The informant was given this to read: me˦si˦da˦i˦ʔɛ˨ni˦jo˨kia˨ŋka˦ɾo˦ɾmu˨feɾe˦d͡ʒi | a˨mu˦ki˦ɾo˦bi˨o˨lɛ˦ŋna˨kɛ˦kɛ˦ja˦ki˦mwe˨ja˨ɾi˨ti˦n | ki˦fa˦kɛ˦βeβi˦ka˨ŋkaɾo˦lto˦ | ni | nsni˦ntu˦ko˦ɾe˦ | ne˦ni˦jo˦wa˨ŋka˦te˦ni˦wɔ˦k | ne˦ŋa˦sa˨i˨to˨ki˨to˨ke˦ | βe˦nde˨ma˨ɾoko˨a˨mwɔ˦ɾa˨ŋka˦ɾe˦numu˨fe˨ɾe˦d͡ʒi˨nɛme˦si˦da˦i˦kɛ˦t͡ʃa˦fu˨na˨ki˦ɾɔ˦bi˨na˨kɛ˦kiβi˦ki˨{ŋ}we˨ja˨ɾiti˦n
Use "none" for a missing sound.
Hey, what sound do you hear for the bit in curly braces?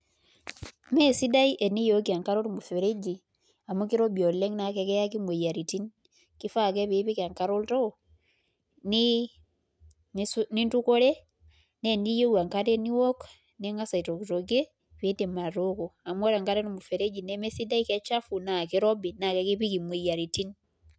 m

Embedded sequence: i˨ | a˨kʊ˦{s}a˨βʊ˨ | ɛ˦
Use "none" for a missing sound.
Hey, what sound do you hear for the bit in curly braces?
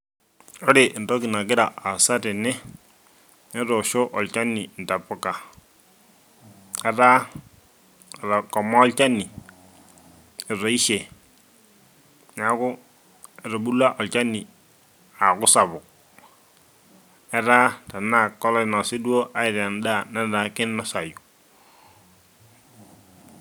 s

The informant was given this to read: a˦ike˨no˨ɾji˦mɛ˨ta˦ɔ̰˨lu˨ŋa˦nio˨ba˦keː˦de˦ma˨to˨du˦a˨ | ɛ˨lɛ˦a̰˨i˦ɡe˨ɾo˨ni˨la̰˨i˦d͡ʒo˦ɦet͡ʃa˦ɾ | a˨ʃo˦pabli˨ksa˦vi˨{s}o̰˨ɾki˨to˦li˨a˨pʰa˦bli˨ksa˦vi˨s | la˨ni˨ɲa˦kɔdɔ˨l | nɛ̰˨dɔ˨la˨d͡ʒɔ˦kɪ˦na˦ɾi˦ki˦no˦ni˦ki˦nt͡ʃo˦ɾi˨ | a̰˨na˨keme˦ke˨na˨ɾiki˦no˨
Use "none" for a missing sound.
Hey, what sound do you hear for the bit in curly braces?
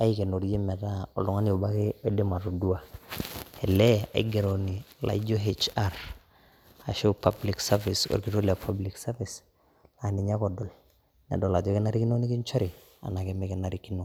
s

